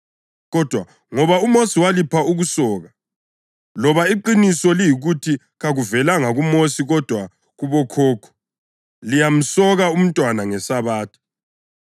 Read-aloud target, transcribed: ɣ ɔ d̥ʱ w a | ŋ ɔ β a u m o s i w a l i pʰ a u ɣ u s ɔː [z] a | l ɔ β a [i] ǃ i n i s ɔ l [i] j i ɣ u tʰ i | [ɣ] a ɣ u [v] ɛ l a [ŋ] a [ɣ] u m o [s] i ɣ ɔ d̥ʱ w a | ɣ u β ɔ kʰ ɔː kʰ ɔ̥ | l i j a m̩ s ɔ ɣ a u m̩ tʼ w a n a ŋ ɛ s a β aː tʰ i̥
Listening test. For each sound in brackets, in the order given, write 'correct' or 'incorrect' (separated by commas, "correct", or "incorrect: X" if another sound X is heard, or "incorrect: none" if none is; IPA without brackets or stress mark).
incorrect: ɣ, correct, correct, correct, correct, correct, correct, correct